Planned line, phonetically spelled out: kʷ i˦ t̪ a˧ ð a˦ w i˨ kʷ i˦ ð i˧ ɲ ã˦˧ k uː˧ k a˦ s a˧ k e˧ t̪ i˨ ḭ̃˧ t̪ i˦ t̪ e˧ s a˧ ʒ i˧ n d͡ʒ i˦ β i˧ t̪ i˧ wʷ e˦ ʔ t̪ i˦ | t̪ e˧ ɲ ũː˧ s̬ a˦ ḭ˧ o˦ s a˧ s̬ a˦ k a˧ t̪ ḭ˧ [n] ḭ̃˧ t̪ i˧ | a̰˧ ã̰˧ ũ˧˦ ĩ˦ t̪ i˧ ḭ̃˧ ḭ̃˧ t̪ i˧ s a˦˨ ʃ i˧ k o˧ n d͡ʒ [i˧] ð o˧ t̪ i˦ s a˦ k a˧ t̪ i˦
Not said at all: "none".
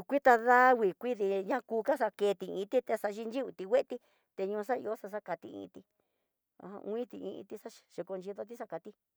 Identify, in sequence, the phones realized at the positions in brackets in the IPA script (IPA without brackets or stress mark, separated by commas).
none, i˧